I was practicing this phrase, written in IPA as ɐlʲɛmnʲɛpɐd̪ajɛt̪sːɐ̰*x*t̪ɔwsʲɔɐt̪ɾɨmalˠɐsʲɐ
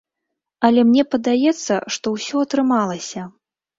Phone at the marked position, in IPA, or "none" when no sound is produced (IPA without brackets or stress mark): ʂ